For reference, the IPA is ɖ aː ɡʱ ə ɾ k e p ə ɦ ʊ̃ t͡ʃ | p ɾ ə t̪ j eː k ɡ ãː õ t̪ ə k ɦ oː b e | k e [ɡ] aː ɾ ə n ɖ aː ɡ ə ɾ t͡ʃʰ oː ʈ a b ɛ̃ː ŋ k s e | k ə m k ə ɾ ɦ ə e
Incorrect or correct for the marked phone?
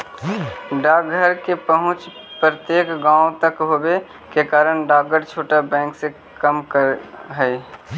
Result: incorrect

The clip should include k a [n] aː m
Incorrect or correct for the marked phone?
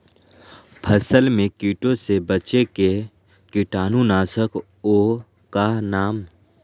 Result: correct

